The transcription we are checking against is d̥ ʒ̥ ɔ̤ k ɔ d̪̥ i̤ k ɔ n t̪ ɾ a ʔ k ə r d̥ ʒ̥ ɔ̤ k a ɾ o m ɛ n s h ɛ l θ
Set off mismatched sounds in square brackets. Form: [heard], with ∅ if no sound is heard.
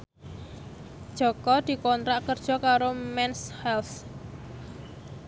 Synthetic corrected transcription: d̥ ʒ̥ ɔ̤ k ɔ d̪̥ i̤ k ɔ n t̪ ɾ a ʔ k ə r d̥ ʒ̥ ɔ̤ k a ɾ o m ɛ n s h ɛ l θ